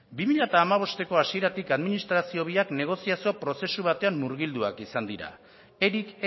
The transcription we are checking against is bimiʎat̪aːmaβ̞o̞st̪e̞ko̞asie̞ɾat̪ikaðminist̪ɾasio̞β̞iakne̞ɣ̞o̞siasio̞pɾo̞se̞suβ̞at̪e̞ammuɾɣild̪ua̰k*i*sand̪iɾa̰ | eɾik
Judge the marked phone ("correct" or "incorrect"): correct